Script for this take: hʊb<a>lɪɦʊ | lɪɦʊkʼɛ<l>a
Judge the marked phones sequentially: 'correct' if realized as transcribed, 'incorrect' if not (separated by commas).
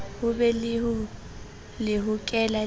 incorrect, correct